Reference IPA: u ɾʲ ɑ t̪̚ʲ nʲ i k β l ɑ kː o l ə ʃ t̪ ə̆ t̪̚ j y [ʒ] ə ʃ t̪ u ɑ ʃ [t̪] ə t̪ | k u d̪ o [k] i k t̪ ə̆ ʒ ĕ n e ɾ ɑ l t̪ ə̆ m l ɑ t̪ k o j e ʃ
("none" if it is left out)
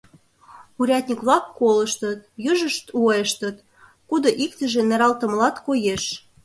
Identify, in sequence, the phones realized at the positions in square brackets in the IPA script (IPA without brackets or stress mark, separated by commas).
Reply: ʒ, t̪, ʔ